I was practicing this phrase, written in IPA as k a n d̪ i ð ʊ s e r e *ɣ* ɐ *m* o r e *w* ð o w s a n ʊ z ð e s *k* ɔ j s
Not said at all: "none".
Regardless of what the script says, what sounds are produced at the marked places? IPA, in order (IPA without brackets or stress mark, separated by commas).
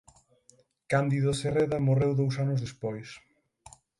ð, m, w, p